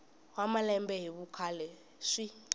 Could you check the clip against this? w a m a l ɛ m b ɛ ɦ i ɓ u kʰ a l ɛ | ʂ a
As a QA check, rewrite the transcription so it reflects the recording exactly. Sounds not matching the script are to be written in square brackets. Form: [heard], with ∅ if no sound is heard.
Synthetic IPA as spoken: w a m a l ɛ m b ɛ ɦ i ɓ u kʰ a l ɛ | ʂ [i]